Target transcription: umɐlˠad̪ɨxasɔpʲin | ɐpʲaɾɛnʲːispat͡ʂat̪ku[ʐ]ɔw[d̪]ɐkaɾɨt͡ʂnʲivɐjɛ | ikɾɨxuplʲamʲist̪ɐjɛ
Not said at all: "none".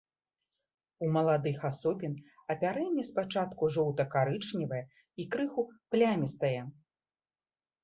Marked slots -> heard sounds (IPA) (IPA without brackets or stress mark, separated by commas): ʐ, t̪